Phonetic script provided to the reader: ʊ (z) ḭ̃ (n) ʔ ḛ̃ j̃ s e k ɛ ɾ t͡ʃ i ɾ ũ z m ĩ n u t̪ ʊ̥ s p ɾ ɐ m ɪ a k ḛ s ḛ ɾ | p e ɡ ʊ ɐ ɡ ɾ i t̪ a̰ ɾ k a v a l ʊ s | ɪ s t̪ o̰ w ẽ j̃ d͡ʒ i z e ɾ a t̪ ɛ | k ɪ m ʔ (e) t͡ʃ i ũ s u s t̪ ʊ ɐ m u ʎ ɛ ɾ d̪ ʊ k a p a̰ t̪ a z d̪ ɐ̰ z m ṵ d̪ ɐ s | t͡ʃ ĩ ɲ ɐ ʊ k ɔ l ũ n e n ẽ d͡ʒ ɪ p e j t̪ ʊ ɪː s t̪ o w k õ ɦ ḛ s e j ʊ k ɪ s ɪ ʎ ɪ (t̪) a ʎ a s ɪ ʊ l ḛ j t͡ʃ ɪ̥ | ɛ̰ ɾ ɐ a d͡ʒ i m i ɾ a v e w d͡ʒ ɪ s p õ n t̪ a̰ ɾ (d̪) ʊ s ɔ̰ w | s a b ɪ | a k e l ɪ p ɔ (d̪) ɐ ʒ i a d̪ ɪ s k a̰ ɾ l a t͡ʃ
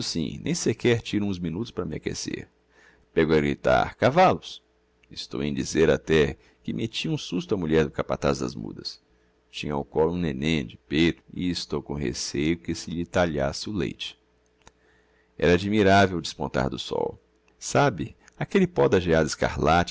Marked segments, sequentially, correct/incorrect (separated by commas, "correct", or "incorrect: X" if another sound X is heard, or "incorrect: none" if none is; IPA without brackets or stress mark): incorrect: s, correct, correct, correct, correct, correct